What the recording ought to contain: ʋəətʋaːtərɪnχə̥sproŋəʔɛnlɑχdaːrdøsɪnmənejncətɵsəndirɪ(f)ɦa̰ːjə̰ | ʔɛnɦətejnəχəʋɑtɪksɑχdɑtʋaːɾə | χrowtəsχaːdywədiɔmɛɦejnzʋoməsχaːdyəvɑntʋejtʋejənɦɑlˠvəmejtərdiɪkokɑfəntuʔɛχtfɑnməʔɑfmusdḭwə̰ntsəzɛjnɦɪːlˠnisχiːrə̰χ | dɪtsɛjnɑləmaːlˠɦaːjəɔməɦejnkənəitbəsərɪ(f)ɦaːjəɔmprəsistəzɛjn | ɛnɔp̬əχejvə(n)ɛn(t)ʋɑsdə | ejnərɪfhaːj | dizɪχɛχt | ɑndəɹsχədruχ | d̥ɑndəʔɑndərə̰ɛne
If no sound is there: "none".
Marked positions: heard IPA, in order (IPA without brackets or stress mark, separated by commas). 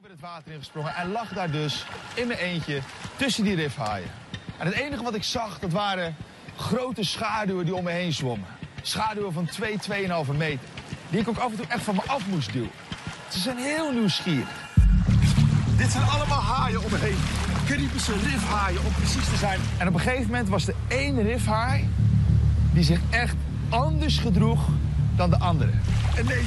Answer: f, f, m, t